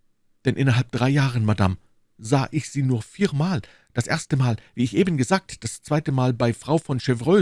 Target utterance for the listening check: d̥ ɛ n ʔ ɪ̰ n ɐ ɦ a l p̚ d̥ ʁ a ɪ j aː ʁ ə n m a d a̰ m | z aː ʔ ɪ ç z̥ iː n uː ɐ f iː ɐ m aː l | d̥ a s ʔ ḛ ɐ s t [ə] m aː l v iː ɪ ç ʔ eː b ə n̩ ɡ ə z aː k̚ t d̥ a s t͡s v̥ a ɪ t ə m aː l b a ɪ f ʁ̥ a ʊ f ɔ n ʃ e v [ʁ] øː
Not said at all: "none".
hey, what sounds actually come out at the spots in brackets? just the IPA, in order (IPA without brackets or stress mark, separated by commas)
ə, ʁ